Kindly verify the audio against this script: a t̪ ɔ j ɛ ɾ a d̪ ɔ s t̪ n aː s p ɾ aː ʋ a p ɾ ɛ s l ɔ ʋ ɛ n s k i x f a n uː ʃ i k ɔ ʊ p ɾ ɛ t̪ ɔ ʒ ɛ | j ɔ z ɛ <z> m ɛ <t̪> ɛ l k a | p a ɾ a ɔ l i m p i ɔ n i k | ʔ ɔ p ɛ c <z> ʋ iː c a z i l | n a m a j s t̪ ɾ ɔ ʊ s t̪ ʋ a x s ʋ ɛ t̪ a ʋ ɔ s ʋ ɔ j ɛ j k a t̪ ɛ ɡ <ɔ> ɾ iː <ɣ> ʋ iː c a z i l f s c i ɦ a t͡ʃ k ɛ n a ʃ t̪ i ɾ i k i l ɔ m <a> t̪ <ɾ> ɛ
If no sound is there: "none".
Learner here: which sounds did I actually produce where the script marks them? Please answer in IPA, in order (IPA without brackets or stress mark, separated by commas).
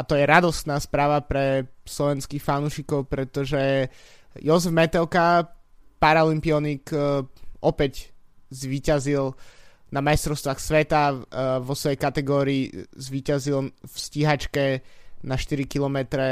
v, t̪, z, ɔː, z, ɛ, ɾ